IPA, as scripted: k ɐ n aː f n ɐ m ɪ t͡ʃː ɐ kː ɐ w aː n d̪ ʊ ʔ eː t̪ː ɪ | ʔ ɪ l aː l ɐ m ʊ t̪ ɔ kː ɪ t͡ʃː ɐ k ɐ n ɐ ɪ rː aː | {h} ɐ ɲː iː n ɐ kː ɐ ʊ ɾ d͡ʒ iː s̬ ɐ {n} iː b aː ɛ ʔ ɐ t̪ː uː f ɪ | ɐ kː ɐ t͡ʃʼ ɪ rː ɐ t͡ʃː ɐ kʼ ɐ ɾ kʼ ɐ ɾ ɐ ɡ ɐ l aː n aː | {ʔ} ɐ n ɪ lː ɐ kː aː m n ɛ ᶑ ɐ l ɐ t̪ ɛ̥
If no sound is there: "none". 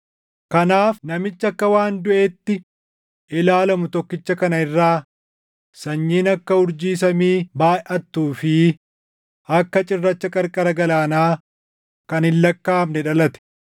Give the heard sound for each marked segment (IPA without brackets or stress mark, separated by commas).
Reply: s, m, k